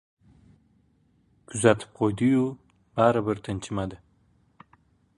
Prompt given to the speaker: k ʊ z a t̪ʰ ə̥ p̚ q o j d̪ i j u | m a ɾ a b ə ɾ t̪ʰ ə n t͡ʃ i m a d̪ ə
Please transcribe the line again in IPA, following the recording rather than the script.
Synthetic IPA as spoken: k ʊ z a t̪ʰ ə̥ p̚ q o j d̪ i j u | b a ɾ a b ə ɾ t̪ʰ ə n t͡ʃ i m a d̪ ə